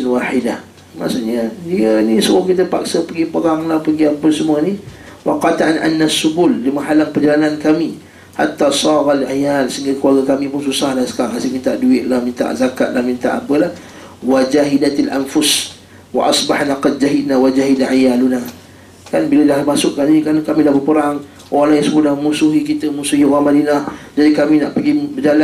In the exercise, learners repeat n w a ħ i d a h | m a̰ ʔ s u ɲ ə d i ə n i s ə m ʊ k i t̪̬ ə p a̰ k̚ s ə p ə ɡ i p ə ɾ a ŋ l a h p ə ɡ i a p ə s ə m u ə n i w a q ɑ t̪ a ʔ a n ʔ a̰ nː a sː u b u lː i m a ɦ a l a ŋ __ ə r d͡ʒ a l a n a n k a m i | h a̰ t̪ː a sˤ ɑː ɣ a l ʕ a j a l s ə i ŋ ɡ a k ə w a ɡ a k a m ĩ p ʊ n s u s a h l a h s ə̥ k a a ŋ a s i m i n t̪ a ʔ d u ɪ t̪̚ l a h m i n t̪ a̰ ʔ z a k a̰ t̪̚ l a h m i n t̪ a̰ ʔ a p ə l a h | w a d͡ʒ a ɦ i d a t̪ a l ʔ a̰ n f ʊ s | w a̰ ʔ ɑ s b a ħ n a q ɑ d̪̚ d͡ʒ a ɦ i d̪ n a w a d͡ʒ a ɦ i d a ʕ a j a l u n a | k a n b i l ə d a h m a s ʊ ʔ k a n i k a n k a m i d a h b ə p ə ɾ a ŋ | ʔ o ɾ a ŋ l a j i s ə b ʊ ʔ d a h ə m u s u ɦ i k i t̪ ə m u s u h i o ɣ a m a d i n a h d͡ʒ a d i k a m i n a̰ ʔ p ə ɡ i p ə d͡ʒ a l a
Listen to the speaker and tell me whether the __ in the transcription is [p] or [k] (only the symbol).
p